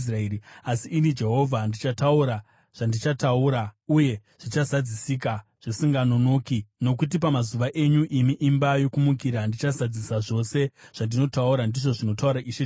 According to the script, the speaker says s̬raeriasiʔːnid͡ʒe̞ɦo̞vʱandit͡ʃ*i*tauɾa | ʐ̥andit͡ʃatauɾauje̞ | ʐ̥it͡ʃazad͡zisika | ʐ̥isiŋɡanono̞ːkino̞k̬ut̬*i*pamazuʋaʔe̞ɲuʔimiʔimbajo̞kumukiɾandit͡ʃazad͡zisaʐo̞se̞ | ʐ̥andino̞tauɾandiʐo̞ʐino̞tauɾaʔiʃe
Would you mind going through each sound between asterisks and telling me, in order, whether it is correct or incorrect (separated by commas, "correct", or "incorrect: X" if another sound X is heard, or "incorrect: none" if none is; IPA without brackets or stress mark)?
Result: incorrect: a, correct